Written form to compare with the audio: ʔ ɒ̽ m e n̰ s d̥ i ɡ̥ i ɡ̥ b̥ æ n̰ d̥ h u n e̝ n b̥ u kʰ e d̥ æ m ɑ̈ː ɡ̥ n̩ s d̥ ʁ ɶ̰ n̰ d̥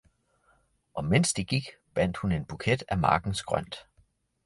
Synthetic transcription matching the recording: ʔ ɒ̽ m e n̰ s d̥ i ɡ̥ i ɡ̥ b̥ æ n̰ d̥ h u n e̝ n b̥ u kʰ e d̥ æ m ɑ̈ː ɡ̥ n̩ s ɡ̥ ʁ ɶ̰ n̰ d̥